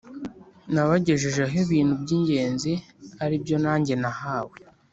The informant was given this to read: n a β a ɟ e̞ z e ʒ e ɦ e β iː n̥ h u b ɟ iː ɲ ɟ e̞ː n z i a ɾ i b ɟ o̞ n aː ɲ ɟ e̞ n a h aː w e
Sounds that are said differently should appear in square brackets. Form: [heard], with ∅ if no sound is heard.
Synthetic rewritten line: n a β a ɟ e̞ [ʒ] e ʒ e ɦ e β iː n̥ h u b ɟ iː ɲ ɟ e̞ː n z i a ɾ i b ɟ o̞ n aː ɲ ɟ e̞ n a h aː w e